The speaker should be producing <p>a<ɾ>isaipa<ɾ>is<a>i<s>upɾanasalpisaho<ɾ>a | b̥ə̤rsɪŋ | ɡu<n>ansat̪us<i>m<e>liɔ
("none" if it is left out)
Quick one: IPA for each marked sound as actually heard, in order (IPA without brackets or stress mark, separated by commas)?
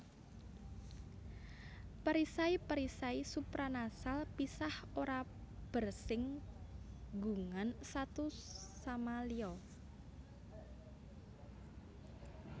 p, ɾ, ɾ, a, s, ɾ, ŋ, a, a